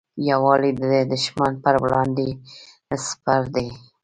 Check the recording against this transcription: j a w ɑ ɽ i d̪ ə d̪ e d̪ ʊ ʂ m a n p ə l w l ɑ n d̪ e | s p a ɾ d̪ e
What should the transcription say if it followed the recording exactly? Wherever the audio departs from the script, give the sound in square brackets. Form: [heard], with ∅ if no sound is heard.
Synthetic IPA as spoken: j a w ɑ [l] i d̪ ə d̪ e d̪ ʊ [ʃ] m a n p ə [ɾ] w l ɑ n d̪ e | s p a ɾ d̪ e